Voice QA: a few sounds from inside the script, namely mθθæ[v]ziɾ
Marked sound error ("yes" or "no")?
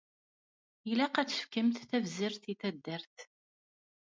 no